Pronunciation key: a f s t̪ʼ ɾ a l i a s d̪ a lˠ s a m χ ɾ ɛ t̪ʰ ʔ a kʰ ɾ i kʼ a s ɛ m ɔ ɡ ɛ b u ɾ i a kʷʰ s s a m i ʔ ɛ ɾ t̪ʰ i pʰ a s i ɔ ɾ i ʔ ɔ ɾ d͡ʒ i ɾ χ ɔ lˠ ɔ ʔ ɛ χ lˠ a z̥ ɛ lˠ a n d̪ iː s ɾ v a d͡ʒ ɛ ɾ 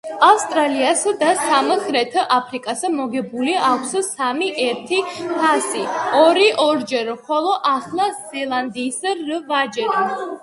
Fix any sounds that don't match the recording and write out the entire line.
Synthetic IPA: a f s t̪ʼ ɾ a l i a s d̪ a s a m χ ɾ ɛ t̪ʰ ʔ a pʰ ɾ i kʼ a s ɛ m ɔ ɡ ɛ b u l i a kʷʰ s s a m i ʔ ɛ ɾ t̪ʰ i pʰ a s i ɔ ɾ i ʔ ɔ ɾ d͡ʒ ɛ ɾ χ ɔ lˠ ɔ ʔ a χ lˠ a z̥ ɛ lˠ a n d̪ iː s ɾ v a d͡ʒ ɛ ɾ